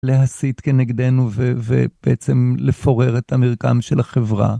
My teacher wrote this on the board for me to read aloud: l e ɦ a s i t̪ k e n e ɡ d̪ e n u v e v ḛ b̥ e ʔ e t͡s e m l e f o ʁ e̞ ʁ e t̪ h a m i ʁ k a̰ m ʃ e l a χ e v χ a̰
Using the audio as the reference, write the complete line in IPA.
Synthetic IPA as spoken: l e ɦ a s i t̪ k e n e ɡ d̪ e n u v e v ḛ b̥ e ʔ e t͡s e m l e f o ʁ e̞ ʁ e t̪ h a m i ʁ k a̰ m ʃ e l a χ e v ʁ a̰